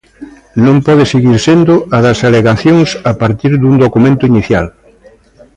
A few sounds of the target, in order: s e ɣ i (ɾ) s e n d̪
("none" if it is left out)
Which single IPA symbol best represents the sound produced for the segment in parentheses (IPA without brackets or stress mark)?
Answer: ɾ